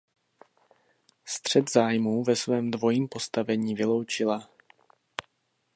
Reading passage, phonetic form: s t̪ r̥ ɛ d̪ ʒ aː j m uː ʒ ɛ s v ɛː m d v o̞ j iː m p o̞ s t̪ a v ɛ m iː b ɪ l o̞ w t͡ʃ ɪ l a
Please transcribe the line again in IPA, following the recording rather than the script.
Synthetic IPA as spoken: s t̪ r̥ ɛ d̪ z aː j m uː v ɛ s v ɛː m d v o̞ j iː m p o̞ s t̪ a v ɛ ɲ iː v ɪ l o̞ w t͡ʃ ɪ l a